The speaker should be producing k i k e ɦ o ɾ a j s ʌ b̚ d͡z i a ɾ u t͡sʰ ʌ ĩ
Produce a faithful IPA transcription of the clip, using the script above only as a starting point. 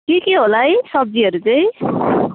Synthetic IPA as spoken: k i k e ɦ o l a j s ʌ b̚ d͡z i ʌ ɾ u t͡s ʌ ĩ